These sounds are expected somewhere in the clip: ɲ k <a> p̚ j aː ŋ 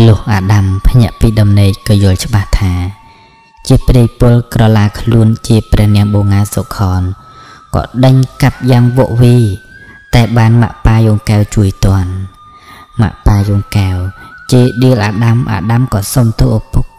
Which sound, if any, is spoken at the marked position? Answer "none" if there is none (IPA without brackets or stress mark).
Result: a